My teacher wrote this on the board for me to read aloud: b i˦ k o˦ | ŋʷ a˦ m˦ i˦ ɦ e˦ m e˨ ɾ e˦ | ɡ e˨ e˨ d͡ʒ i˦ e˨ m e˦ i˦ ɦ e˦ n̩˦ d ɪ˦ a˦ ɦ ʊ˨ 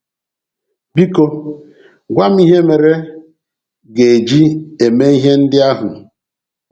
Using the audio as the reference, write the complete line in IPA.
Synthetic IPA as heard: b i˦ k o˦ | ɡʷ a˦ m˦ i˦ ɦ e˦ m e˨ ɾ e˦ | ɡ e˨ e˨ d͡ʒ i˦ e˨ m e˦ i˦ ɦ e˦ n̩˦ d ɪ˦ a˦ ɦ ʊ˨